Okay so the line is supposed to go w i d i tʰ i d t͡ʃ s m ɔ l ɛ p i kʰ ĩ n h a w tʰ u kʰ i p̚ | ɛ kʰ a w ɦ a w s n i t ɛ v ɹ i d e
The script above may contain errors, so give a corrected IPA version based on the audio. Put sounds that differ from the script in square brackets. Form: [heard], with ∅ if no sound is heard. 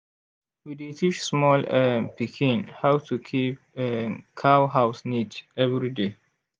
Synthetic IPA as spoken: w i d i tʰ i [∅] t͡ʃ s m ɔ l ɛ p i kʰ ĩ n h a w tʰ u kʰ i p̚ | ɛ kʰ a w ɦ a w s n i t ɛ v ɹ i d e